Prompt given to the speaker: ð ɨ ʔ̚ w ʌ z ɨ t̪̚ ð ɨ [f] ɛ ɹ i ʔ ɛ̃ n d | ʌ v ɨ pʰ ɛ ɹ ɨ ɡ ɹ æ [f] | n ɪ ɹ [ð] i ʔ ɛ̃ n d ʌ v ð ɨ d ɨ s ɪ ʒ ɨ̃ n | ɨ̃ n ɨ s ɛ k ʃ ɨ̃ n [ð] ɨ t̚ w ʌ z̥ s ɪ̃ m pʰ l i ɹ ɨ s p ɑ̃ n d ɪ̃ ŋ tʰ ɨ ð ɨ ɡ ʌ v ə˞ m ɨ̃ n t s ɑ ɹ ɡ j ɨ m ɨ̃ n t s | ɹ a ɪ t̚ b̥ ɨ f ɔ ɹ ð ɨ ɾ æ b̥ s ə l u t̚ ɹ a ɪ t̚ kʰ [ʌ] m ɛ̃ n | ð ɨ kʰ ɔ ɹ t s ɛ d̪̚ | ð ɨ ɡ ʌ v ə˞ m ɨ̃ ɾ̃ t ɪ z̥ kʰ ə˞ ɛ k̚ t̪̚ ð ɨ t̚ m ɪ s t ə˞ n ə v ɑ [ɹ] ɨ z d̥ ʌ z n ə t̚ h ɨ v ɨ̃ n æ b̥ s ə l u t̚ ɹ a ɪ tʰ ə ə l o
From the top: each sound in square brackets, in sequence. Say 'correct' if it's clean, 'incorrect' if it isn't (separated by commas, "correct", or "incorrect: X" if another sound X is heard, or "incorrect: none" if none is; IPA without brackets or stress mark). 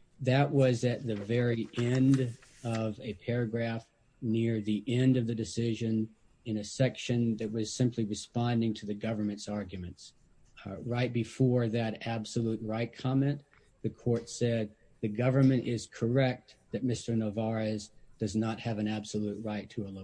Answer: incorrect: v, correct, correct, correct, incorrect: ɑ, correct